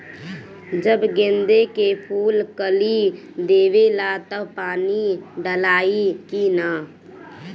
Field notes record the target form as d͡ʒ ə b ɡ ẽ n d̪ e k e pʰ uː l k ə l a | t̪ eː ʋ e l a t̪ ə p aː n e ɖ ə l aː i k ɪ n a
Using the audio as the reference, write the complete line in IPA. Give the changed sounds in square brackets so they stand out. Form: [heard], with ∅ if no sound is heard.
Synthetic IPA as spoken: d͡ʒ ə b ɡ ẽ n d̪ e k e pʰ uː l k ə l [i] | [d̪] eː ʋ e l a t̪ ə p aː n [i] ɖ ə l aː i k [i] n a